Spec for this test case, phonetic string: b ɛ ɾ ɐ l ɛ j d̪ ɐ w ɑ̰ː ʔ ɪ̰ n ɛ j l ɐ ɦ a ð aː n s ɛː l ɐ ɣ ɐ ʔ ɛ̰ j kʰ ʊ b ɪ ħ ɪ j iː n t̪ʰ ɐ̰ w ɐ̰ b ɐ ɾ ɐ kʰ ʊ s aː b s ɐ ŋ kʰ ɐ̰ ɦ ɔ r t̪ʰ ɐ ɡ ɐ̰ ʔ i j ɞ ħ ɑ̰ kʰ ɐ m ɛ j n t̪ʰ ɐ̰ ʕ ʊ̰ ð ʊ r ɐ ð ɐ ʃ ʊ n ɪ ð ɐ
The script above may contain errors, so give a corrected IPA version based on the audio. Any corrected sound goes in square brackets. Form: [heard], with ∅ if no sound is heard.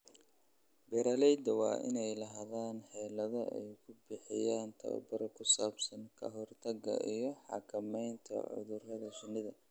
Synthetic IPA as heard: b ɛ ɾ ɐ l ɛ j d̪ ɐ w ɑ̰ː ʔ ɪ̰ n ɛ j l ɐ ɦ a ð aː n [ħ] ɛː l ɐ [ð] ɐ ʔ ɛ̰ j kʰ ʊ b ɪ ħ ɪ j [aː] n t̪ʰ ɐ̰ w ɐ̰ b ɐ ɾ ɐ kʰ ʊ s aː b s ɐ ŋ kʰ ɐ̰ ɦ ɔ r t̪ʰ ɐ ɡ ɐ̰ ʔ i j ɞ ħ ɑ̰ kʰ ɐ m ɛ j n t̪ʰ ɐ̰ ʕ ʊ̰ ð ʊ r ɐ ð ɐ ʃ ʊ n ɪ ð ɐ